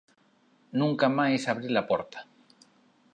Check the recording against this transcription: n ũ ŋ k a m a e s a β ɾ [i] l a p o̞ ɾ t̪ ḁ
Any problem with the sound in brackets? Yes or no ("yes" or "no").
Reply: no